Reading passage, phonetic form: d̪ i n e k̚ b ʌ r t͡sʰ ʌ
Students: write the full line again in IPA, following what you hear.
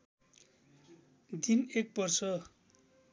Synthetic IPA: d̪ i n e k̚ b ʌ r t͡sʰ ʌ